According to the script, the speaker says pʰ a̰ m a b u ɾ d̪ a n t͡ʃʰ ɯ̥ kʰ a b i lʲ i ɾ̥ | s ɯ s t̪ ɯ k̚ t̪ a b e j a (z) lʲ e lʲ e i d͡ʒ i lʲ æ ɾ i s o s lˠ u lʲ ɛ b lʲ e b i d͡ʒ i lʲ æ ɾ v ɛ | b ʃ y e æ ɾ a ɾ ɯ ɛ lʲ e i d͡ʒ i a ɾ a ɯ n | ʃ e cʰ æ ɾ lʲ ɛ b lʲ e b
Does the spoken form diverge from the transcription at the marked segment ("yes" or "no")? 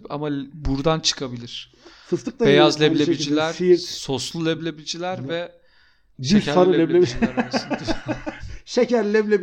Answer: no